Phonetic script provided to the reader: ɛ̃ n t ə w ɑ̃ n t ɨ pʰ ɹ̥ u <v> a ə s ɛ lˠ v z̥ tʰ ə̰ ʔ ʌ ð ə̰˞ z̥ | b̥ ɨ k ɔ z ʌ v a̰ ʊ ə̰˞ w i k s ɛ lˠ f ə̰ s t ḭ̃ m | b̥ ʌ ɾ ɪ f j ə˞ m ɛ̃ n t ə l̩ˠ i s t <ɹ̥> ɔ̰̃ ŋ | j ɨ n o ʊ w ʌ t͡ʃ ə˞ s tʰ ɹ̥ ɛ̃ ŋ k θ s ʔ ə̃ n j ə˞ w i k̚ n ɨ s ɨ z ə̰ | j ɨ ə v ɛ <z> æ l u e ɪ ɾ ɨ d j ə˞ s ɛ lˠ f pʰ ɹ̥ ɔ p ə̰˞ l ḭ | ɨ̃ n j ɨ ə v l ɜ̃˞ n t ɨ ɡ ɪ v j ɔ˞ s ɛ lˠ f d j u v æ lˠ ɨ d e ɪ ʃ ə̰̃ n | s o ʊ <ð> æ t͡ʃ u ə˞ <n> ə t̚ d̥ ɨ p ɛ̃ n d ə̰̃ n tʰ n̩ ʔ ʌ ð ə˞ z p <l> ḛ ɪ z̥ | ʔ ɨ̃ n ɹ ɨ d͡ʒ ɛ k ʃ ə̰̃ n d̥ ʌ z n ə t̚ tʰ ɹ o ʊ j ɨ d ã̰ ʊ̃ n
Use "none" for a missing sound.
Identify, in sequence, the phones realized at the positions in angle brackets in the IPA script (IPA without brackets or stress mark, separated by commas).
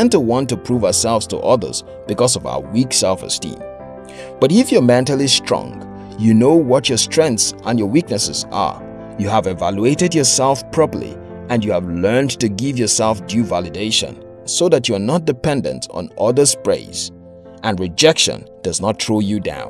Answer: v, ɹ̥, v, ð, n, ɹ